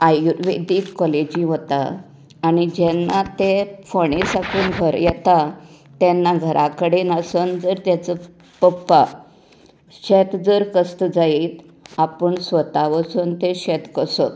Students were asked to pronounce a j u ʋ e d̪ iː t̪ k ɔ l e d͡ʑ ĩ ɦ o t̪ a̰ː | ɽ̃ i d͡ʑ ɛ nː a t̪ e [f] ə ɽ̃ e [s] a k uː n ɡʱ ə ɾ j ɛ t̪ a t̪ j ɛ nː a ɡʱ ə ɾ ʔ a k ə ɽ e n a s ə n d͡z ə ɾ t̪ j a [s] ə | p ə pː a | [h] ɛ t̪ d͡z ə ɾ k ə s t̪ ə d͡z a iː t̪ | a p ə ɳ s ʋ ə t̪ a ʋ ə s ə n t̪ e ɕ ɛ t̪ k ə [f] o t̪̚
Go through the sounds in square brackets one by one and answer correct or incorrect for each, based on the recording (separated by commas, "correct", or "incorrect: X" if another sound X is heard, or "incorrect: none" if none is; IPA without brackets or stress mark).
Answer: correct, correct, incorrect: t͡s, incorrect: ɕ, incorrect: s